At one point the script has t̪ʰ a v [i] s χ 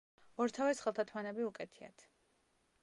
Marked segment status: incorrect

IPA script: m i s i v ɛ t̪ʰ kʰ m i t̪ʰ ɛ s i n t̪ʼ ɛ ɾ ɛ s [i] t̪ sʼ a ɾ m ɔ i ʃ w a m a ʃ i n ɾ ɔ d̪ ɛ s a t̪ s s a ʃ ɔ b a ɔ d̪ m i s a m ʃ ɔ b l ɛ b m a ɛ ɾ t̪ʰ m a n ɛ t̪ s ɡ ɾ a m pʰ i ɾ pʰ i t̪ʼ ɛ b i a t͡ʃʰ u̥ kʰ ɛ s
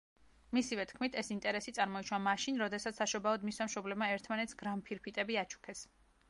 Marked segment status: correct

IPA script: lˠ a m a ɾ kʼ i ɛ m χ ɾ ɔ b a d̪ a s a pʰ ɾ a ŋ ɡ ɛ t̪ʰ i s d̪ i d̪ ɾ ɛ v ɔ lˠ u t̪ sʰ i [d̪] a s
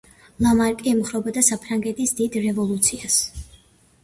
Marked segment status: incorrect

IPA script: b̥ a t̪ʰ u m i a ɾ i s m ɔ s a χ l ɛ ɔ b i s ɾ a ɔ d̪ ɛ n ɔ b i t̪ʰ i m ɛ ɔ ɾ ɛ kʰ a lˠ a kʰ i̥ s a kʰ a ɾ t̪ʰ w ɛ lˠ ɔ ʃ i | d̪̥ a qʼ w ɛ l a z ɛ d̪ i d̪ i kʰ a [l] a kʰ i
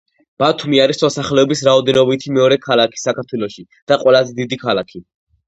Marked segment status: correct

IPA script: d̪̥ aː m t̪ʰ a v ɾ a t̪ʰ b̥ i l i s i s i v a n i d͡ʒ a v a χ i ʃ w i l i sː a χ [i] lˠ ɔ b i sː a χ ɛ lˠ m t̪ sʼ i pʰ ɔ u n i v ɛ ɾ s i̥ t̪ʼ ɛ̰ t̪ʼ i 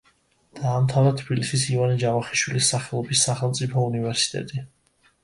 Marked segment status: incorrect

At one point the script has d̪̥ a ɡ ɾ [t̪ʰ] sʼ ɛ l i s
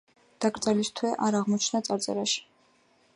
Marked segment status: incorrect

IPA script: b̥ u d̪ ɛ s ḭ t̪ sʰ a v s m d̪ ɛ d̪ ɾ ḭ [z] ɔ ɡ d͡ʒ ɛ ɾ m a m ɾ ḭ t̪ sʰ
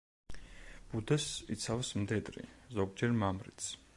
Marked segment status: correct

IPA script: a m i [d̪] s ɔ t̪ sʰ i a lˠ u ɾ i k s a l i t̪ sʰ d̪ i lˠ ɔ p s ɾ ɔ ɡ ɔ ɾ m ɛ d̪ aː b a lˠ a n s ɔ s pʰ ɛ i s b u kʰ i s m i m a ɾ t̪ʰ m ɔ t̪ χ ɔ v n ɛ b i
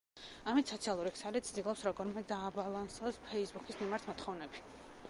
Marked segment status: incorrect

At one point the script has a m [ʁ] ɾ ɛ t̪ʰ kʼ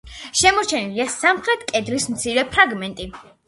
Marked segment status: incorrect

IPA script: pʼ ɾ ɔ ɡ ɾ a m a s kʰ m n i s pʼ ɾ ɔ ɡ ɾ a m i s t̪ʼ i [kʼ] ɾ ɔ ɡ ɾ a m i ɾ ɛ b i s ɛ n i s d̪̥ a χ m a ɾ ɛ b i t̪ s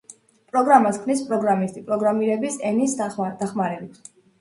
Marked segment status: incorrect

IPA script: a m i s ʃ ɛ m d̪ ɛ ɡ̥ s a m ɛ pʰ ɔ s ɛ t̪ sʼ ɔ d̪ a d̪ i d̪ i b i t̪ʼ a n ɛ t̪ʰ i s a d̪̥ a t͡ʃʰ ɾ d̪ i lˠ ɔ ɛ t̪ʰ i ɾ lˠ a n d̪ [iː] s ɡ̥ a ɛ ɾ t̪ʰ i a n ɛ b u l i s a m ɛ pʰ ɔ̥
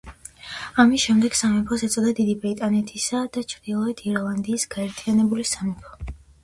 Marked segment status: correct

